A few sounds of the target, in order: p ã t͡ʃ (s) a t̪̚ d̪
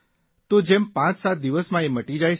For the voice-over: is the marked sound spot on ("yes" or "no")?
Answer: yes